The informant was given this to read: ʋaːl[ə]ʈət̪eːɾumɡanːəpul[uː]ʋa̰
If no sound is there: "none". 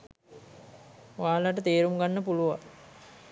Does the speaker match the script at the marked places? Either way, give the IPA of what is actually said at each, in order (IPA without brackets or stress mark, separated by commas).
a, u